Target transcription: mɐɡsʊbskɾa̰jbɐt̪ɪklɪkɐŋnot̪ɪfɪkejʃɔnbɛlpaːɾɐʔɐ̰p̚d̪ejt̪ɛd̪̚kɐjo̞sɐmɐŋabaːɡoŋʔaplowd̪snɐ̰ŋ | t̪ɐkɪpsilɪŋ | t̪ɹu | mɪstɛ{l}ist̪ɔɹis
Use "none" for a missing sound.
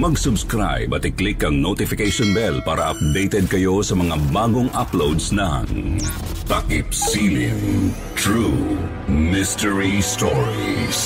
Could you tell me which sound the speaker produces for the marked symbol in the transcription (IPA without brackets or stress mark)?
ɹ